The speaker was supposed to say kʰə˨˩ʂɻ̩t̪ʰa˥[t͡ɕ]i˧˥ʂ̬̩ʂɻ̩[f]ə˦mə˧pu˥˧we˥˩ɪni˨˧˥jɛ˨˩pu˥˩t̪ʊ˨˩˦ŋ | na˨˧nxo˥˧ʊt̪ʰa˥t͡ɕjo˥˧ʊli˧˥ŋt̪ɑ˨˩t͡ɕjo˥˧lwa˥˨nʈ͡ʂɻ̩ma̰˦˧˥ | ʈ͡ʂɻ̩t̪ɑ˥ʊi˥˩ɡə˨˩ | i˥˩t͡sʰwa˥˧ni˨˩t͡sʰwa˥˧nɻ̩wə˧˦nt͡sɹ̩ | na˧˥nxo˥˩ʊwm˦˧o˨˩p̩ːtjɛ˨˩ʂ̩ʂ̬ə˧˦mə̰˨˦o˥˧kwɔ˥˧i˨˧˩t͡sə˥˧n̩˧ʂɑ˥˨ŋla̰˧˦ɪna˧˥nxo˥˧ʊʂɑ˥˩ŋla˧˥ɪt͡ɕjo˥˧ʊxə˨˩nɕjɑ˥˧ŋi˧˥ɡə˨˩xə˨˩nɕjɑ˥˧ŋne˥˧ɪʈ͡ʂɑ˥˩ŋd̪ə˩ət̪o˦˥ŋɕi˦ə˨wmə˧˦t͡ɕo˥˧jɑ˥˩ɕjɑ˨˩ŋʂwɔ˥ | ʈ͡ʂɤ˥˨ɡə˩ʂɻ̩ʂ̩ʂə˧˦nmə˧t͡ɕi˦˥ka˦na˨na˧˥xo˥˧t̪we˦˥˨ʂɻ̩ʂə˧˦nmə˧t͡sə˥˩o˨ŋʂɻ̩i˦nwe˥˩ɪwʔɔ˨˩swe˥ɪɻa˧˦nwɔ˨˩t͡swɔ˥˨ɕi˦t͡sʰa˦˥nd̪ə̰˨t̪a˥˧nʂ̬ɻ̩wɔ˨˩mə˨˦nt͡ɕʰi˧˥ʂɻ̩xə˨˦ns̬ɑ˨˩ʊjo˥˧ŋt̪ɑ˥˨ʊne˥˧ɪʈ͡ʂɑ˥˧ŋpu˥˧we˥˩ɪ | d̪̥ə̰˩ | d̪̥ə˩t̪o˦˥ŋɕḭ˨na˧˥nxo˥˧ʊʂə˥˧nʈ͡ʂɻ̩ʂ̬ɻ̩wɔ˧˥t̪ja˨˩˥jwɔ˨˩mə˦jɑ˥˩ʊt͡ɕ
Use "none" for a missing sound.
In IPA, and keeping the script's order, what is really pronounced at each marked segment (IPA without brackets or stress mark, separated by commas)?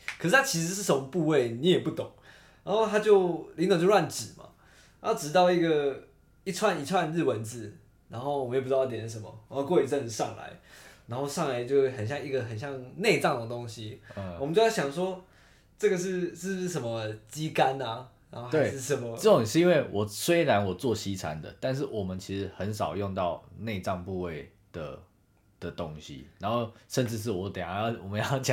t͡ɕʰ, ʂ